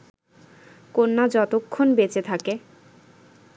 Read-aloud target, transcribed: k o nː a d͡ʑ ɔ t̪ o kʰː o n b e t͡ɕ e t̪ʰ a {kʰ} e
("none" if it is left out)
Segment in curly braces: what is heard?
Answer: k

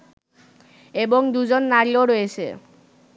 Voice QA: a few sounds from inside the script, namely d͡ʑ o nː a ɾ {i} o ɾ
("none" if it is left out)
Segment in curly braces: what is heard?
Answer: i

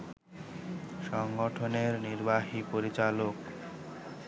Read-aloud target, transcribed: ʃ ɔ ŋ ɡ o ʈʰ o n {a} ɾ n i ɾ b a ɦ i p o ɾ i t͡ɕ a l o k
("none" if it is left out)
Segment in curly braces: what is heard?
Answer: e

